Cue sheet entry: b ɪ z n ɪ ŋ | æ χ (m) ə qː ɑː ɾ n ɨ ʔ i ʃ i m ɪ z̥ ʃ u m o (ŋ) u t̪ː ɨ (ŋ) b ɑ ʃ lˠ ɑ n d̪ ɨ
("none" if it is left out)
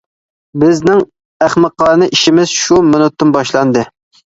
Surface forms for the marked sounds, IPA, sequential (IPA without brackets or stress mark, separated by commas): m, n, n